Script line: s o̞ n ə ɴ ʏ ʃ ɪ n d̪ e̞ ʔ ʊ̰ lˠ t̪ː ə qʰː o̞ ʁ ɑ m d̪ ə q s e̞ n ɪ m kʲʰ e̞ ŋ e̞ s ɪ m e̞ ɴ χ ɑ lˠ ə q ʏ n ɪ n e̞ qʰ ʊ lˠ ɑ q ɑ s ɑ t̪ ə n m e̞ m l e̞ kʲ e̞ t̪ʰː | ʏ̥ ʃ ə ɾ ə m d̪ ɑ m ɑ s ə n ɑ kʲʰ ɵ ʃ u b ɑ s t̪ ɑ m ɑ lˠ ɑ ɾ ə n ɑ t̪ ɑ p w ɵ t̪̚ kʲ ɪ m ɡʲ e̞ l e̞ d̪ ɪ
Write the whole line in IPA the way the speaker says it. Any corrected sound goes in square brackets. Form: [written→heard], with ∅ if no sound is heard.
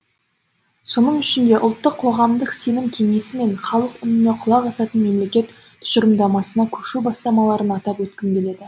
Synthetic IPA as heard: s o̞ n ə ɴ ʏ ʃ ɪ n d̪ e̞ ʔ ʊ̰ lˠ t̪ː ə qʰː o̞ ʁ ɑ m d̪ ə q s e̞ n ɪ m kʲʰ e̞ ŋ e̞ s ɪ m e̞ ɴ χ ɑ lˠ ə q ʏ n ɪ n e̞ qʰ ʊ lˠ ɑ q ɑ s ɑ t̪ ə n m e̞ m l e̞ kʲ e̞ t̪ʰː | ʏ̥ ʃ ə ɾ ə m d̪ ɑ m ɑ s ə n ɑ kʲʰ ɵ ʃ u b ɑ s t̪ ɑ m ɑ lˠ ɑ ɾ ə n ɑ t̪ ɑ p w ɵ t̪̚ kʲ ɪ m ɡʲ e̞ l e̞ d̪ ɪ